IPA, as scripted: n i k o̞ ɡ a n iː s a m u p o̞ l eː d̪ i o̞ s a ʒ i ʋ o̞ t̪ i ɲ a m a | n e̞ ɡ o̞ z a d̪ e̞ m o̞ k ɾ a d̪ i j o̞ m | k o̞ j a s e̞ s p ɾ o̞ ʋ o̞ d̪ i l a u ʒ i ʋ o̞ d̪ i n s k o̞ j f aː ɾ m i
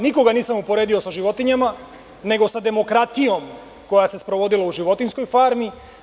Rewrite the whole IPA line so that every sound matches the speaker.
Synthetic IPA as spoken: n i k o̞ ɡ a n iː s a m u p o̞ ɾ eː d̪ i o̞ s a ʒ i ʋ o̞ t̪ i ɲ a m a | n e̞ ɡ o̞ s a d̪ e̞ m o̞ k ɾ a t̪ i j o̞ m | k o̞ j a s e̞ s p ɾ o̞ ʋ o̞ d̪ i l a u ʒ i ʋ o̞ t̪ i n s k o̞ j f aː ɾ m i